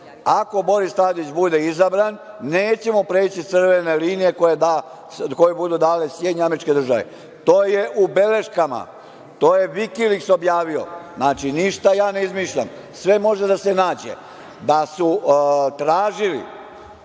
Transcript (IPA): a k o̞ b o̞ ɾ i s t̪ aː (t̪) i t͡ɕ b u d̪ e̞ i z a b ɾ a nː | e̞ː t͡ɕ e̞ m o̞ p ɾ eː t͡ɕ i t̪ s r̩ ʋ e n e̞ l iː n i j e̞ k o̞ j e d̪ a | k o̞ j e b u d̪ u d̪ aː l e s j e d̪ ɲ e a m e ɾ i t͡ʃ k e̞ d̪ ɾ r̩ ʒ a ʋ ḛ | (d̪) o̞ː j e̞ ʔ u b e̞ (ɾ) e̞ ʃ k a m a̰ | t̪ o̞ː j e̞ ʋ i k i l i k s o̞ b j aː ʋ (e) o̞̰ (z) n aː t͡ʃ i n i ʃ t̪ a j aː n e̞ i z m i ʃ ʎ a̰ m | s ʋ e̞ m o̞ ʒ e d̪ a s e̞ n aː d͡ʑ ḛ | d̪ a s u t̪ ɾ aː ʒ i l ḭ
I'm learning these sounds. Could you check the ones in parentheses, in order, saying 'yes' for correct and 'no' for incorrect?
no, no, no, no, yes

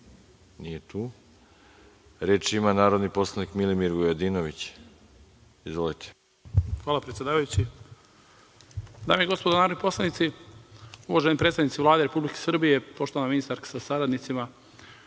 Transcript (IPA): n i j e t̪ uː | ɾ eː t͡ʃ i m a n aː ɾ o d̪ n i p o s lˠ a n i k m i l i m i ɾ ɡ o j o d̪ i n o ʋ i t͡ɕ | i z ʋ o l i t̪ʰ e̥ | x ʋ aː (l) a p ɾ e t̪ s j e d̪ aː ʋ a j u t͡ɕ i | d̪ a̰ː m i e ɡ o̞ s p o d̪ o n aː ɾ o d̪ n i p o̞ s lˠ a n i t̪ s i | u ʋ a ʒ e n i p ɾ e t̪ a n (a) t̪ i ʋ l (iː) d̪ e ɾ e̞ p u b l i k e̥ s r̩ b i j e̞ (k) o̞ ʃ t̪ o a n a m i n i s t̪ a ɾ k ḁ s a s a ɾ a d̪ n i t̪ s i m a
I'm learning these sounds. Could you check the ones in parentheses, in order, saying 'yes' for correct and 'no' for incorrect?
yes, no, no, no

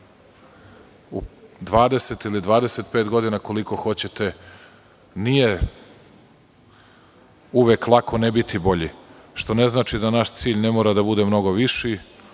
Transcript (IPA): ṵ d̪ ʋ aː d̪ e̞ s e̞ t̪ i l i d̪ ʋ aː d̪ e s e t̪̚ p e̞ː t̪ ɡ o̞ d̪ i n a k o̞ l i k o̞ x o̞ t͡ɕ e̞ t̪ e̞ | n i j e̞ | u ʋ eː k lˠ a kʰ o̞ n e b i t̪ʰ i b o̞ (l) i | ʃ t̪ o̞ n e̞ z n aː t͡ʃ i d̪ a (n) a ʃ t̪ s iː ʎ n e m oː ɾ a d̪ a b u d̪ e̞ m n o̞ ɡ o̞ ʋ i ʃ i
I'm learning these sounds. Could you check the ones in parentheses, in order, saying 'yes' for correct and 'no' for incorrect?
no, yes

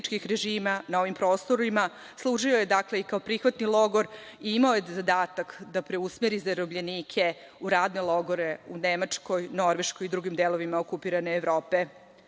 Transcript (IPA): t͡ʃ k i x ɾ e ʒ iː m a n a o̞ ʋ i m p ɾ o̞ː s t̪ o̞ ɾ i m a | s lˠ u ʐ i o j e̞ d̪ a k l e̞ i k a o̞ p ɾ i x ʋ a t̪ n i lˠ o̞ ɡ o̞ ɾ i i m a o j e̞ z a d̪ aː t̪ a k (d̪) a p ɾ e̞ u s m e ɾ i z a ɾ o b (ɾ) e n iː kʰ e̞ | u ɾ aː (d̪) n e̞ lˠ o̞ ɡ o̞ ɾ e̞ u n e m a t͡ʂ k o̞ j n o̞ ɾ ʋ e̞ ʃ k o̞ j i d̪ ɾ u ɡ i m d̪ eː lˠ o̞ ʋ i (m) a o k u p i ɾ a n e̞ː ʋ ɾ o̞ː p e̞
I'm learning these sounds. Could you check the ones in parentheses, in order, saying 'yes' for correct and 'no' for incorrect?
yes, no, yes, yes

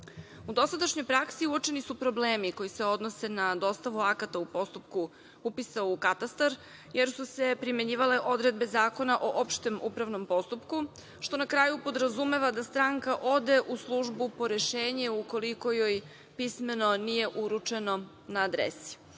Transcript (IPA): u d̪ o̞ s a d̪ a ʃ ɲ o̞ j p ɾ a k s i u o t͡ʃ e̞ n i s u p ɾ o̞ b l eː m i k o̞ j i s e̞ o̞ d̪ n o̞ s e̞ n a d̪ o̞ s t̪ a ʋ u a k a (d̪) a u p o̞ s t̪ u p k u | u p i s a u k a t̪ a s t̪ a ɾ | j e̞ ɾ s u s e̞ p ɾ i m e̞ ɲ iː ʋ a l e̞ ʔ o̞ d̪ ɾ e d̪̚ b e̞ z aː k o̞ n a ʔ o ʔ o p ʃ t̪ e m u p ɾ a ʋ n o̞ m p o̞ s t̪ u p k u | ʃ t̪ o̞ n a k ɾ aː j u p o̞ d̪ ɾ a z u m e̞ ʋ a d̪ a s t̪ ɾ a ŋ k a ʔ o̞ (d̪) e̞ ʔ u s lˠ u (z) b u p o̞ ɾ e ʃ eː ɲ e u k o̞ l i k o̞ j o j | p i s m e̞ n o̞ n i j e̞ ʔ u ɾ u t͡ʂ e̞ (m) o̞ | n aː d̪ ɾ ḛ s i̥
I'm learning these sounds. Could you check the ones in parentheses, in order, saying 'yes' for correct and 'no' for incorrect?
no, yes, no, no

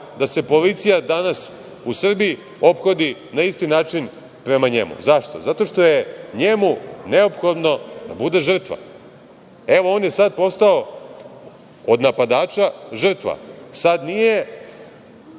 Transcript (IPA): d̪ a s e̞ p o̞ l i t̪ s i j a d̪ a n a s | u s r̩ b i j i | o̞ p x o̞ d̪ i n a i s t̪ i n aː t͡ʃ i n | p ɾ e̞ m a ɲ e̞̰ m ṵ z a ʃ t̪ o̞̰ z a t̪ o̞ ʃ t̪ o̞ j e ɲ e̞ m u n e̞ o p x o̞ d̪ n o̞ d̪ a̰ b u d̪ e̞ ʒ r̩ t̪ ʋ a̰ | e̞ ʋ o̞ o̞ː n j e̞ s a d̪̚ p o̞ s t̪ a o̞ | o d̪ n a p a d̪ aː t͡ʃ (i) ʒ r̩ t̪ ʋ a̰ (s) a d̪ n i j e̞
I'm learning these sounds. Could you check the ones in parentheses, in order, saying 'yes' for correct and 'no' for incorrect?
no, yes

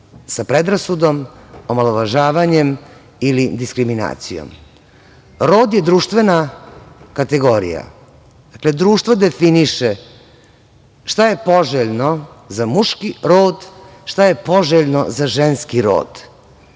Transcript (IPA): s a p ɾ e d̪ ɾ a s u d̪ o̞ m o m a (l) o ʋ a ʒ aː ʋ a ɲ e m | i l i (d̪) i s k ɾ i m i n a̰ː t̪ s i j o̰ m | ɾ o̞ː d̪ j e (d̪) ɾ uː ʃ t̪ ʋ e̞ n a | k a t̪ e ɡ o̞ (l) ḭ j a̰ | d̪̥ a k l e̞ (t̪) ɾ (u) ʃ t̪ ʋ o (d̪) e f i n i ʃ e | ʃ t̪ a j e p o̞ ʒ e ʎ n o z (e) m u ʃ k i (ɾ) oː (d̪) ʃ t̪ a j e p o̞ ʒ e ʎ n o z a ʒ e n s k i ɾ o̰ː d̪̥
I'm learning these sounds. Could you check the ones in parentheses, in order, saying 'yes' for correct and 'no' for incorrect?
yes, yes, yes, no, no, no, yes, no, yes, yes

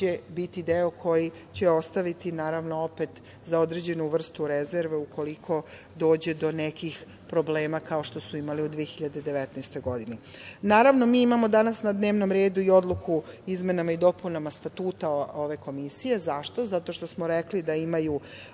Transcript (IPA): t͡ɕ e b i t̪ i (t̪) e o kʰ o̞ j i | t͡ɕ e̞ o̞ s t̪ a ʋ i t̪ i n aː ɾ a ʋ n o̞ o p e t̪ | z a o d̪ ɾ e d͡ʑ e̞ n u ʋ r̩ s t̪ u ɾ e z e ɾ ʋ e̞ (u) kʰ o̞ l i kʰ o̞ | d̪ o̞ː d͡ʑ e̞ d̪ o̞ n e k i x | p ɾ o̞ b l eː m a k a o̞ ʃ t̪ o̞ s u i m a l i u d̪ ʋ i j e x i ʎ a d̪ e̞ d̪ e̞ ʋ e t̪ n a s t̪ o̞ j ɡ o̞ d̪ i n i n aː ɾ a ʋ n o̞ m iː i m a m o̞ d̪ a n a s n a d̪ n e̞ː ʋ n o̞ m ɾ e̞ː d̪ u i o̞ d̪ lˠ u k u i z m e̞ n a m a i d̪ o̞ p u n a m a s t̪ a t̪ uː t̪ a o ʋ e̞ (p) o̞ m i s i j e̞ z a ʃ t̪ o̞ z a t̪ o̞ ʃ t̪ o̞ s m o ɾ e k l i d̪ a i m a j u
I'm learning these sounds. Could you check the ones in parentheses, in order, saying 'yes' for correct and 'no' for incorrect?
no, yes, no

